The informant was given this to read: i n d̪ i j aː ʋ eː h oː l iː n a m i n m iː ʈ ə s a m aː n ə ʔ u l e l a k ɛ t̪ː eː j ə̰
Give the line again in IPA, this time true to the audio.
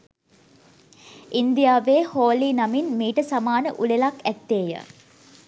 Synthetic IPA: i n d̪ i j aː ʋ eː h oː l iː n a m i n m iː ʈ ə s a m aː n ə ʔ u l e l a k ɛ t̪ː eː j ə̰